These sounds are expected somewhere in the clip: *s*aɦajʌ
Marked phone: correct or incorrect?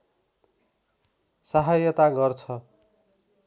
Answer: correct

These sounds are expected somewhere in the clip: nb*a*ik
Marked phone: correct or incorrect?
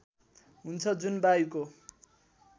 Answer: correct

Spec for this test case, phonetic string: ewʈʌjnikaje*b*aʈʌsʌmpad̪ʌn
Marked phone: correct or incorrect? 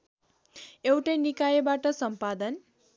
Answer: correct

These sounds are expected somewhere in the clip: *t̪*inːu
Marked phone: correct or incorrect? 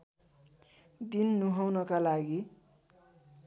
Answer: incorrect: d̪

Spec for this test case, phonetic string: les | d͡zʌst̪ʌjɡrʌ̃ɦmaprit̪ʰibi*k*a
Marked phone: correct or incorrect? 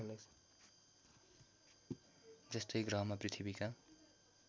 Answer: correct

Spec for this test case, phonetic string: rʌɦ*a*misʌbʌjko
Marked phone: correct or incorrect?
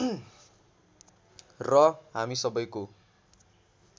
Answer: correct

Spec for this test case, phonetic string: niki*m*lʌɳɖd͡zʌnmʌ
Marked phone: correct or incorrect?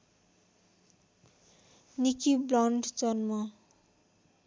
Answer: incorrect: b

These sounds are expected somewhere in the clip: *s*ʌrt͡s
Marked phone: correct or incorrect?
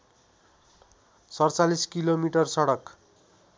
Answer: correct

